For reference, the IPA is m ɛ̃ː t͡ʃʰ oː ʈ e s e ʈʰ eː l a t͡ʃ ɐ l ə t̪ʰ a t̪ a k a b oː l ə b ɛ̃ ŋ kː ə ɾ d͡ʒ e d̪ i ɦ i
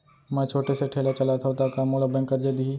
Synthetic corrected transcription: m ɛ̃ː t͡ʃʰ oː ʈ e s e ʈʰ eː l a t͡ʃ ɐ l a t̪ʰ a t̪ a k a m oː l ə b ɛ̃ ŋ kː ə ɾ d͡ʒ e d̪ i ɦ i

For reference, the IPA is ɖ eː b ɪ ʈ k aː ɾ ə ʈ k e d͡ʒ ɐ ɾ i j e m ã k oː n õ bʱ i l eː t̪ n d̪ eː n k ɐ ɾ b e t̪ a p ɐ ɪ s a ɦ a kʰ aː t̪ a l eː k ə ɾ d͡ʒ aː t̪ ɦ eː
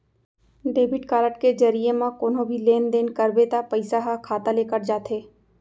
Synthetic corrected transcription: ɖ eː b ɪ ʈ k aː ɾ ə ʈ k e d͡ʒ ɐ ɾ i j e m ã k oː n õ bʱ i l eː n d̪ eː n k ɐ ɾ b e t̪ a p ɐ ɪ s a ɦ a kʰ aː t̪ a l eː k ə ɾ d͡ʒ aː t̪ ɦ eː

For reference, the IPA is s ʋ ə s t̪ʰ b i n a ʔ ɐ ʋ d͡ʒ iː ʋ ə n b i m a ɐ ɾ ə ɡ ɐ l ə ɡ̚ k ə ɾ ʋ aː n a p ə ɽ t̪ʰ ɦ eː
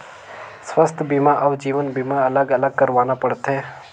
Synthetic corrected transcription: s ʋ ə s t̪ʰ b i m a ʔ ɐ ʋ d͡ʒ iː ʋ ə n b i m a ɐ l ə ɡ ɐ l ə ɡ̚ k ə ɾ ʋ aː n a p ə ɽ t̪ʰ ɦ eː

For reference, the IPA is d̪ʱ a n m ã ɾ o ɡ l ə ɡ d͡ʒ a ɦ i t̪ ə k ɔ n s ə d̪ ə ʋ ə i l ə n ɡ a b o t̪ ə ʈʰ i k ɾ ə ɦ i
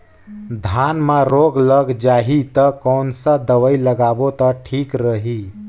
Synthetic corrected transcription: d̪ʱ a n m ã ɾ o ɡ l ə ɡ d͡ʒ a ɦ i t̪ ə k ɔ n s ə d̪ ə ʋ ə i l ə ɡ a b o t̪ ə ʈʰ i k ɾ ə ɦ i

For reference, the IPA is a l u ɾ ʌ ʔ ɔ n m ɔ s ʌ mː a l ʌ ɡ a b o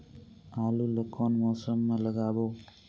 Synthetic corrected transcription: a l u l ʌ k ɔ n m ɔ s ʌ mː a l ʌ ɡ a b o

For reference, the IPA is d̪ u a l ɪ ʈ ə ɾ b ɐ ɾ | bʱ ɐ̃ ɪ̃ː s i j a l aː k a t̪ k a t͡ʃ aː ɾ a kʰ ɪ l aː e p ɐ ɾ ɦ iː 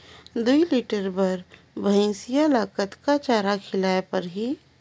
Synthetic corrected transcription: d̪ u i l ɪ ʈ ə ɾ b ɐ ɾ | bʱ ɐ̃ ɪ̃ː s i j a l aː k ə t̪ k a t͡ʃ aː ɾ a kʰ ɪ l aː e p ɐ ɾ ɦ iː

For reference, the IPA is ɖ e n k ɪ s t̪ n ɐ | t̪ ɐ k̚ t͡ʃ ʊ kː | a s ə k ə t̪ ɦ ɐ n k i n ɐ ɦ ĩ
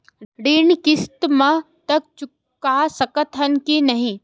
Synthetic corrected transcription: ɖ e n k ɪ s t̪ m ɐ | t̪ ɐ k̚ t͡ʃ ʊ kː | a s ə k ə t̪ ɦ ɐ n k i n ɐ ɦ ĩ

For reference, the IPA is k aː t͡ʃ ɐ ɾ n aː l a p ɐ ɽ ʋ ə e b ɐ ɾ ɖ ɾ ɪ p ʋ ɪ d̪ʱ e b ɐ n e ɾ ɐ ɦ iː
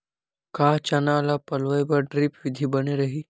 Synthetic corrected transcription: k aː t͡ʃ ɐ n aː l a p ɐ l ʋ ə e b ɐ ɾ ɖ ɾ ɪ p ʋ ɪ d̪ʱ i b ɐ n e ɾ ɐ ɦ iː

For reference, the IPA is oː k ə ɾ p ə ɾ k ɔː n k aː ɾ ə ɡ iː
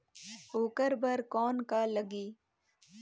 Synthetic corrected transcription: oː k ə ɾ b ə ɾ k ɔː n k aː l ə ɡ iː

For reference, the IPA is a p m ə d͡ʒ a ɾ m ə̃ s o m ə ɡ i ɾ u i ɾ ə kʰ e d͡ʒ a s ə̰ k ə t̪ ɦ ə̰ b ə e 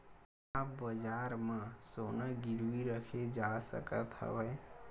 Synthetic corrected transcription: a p b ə d͡ʒ a ɾ m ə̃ s o n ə ɡ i ɾ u i ɾ ə kʰ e d͡ʒ a s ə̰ k ə t̪ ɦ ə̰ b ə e

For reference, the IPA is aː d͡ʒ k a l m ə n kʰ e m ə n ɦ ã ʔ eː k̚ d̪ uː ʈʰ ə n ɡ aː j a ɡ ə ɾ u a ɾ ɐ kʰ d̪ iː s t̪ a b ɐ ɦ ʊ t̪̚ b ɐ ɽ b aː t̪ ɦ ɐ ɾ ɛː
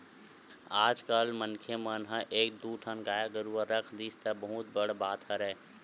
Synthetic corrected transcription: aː d͡ʒ k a l m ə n kʰ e m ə n ɦ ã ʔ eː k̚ d̪ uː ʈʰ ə n ɡ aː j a ɡ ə ɾ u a ɾ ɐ kʰ d̪ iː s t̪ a b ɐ ɦ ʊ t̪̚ b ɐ ɽ b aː t̪ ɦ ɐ ɾ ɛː

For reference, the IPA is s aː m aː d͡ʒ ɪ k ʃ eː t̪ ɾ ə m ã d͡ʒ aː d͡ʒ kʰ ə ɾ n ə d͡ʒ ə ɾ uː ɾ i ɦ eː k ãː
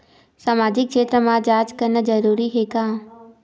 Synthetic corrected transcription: s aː m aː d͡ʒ ɪ k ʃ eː t̪ ɾ ə m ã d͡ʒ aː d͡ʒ k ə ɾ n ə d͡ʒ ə ɾ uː ɾ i ɦ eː k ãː

